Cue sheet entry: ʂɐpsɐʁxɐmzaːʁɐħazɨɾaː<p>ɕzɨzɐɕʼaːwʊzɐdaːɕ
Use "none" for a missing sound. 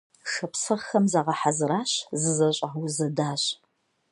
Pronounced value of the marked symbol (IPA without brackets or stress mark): none